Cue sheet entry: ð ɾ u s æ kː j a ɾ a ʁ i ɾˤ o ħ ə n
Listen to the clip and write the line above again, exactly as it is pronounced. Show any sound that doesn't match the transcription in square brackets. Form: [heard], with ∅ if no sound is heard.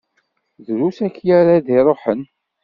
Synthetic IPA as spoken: ð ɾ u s æ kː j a ɾ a [ð] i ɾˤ o ħ ə n